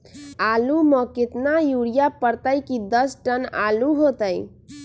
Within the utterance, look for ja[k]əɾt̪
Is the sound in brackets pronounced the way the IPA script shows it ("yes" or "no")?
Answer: no